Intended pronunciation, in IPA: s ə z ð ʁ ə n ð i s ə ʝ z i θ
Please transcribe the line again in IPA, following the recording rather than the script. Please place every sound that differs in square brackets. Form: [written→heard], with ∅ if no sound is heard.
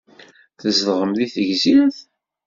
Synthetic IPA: [s→θ] ə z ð ʁ ə [n→m] ð i [s→θ] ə ʝ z i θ